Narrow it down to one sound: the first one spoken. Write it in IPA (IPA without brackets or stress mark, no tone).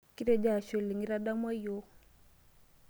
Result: k